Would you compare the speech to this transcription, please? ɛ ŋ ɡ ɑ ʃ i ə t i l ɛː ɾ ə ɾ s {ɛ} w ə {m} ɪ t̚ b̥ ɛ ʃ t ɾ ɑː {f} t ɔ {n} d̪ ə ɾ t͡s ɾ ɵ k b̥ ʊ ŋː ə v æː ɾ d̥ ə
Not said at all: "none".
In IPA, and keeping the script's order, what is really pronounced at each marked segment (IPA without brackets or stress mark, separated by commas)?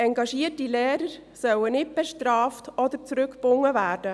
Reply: œ, n, f, none